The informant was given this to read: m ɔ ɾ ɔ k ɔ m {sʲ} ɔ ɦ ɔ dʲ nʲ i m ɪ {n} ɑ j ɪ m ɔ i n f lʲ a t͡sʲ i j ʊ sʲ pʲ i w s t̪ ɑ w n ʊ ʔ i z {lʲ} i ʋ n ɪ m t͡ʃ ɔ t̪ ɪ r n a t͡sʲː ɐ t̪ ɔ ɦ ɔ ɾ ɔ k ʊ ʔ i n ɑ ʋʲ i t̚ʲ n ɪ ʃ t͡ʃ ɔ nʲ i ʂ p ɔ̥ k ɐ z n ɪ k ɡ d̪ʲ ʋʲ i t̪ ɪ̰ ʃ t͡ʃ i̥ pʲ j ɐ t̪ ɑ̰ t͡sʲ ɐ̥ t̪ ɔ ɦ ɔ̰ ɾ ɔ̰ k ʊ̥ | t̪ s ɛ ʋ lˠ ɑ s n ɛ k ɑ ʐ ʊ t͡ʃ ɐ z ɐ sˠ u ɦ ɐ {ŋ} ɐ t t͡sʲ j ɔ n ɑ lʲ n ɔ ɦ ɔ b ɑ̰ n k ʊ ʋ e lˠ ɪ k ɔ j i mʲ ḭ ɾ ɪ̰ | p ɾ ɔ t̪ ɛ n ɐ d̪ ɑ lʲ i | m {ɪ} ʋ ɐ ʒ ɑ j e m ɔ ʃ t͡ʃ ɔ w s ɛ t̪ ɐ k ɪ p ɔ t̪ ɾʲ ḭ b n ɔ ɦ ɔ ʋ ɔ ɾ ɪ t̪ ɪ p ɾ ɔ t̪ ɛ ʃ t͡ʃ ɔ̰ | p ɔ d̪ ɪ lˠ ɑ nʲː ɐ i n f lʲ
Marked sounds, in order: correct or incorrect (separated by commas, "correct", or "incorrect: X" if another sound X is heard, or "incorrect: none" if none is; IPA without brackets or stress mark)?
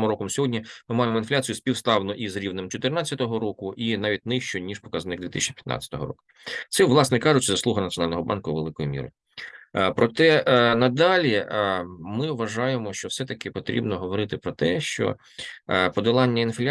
correct, incorrect: m, incorrect: ɾʲ, incorrect: n, correct